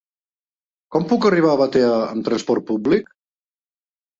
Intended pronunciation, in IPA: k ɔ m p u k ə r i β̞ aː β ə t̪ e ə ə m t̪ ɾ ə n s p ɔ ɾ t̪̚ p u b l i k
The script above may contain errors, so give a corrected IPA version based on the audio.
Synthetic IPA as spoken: k ɔ m p u k ə r i β̞ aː β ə t̪ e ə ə m t̪ ɾ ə n s p ɔ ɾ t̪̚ p u b l i k